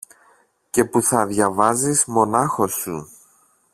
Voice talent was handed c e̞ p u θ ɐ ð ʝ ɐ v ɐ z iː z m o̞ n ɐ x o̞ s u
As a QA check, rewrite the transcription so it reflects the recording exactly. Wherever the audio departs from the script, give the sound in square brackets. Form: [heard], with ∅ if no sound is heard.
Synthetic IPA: c e̞ p u θ ɐ ð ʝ ɐ v ɐ z [i] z m o̞ n ɐ x o̞ s u

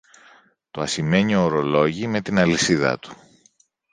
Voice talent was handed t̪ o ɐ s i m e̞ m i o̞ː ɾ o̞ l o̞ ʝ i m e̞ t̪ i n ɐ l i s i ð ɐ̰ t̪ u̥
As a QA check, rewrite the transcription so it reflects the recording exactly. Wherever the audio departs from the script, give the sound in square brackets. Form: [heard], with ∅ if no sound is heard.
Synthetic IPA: t̪ o ɐ s i m e̞ [ɲ] i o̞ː ɾ o̞ l o̞ ʝ i m e̞ t̪ i n ɐ l i s i ð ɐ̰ t̪ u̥

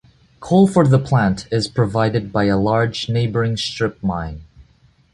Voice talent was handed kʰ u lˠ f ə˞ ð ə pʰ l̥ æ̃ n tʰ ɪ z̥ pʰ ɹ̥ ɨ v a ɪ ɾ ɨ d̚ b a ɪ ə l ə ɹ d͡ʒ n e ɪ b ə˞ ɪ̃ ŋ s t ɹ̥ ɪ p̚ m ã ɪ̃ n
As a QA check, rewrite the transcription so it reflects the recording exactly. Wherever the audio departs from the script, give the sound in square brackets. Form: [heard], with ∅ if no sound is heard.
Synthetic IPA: kʰ [o] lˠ f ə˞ ð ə pʰ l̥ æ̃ n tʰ ɪ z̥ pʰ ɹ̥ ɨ v a ɪ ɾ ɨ d̚ b a ɪ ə l [ɑ] ɹ d͡ʒ n e ɪ b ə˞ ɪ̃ ŋ s t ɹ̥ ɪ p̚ m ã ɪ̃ n

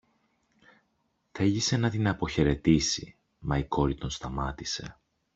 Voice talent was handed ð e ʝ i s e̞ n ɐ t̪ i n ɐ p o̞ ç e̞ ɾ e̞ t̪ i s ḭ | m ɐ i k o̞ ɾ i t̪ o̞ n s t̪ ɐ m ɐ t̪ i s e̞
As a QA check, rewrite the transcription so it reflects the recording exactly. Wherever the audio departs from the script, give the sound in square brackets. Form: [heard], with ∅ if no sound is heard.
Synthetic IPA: [θ] e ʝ i s e̞ n ɐ t̪ i n ɐ p o̞ ç e̞ ɾ e̞ t̪ i s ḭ | m ɐ i k o̞ ɾ i t̪ o̞ n s t̪ ɐ m ɐ t̪ i s e̞

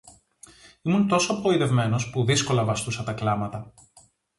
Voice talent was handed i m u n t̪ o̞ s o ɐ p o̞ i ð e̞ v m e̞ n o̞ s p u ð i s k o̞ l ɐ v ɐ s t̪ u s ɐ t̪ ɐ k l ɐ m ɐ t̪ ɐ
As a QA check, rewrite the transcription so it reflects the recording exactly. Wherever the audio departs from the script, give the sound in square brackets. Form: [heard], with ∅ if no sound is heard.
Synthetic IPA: i m u n t̪ o̞ s o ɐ p o̞ i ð e̞ v m e̞ n o̞ s p u ð i s k o̞ l ɐ v ɐ s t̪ u s ɐ t̪ ɐ k l ɐ m ɐ t̪ ɐ

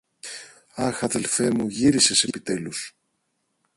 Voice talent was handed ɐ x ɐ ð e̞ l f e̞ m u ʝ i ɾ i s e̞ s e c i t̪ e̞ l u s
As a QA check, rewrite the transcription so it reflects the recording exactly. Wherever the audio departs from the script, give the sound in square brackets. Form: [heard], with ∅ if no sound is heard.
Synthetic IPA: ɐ x ɐ ð e̞ l f e̞ m u ʝ i ɾ i s e̞ s e [p] i t̪ e̞ l u s

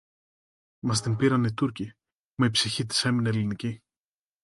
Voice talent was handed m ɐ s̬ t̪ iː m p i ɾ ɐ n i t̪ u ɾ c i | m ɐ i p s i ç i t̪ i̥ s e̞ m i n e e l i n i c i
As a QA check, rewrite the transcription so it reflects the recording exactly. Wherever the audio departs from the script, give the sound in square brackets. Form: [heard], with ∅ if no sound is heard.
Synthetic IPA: m ɐ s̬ t̪ [i] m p i ɾ ɐ n i t̪ u ɾ c i | m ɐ i p s i ç i t̪ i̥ s e̞ m i n e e l i n i c i

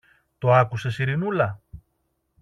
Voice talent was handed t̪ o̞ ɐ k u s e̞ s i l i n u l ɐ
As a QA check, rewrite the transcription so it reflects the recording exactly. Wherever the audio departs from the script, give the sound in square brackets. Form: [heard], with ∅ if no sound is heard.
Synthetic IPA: t̪ o̞ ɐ k u s e̞ s i [ɾ] i n u l ɐ

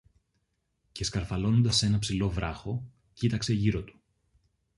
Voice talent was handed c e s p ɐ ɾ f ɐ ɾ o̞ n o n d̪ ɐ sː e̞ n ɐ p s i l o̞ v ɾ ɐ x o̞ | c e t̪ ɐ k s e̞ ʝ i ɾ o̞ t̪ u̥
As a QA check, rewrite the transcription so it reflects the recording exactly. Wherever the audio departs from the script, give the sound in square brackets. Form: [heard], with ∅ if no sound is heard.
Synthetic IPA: c e s [k] ɐ ɾ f ɐ [l] o̞ n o n d̪ ɐ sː e̞ n ɐ p s i l o̞ v ɾ ɐ x o̞ | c [i] t̪ ɐ k s e̞ ʝ i ɾ o̞ t̪ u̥

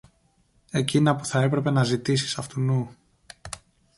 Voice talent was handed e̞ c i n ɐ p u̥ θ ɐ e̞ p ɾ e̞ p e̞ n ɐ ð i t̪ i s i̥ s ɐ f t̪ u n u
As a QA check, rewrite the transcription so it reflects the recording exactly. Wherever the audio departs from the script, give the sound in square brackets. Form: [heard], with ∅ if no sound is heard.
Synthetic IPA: e̞ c i n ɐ p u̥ θ ɐ e̞ p ɾ e̞ p e̞ n ɐ [z] i t̪ i s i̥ s ɐ f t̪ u n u

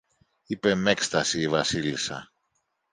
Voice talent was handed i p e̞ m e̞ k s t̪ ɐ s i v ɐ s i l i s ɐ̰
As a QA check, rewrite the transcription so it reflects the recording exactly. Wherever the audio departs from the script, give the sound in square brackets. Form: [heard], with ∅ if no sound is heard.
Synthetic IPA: i p e̞ m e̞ k s t̪ ɐ s [iː] v ɐ s i l i s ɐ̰

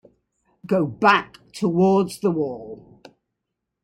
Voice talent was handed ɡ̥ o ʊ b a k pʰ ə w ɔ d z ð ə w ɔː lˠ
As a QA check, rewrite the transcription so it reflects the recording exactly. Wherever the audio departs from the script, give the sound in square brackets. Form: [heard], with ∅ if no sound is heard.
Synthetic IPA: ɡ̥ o ʊ b a k [tʰ] ə w [ɔː] d z ð ə w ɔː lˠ

